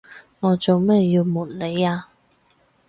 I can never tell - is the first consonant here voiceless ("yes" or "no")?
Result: no